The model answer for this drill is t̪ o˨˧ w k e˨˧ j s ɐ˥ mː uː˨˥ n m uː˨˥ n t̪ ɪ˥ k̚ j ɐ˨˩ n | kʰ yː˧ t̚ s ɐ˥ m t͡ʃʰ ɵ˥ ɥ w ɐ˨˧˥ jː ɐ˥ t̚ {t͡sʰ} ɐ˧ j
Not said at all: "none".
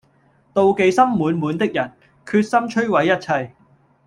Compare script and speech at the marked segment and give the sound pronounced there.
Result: t͡sʰ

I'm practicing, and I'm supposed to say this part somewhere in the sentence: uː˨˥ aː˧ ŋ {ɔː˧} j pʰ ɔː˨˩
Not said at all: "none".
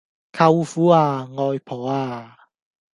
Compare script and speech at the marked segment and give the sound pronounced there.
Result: ɔː˧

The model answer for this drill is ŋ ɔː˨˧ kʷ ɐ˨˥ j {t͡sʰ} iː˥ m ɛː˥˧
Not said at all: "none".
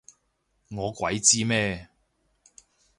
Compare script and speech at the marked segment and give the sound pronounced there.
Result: t͡s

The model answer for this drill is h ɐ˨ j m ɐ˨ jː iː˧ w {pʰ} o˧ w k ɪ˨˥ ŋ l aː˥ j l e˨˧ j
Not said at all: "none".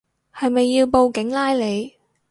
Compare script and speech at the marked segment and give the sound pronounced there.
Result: p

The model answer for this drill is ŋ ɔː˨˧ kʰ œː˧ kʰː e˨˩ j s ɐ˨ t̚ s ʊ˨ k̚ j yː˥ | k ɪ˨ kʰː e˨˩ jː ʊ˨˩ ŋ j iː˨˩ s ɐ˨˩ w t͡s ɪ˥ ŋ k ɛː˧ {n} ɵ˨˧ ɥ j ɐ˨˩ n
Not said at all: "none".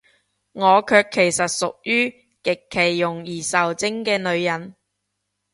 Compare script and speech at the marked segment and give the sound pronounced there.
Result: n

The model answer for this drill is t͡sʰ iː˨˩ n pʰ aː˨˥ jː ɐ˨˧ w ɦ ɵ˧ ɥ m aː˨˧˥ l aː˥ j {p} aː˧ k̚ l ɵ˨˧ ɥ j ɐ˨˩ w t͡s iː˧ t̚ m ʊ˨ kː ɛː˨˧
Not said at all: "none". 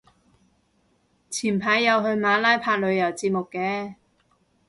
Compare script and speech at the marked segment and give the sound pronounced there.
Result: pʰ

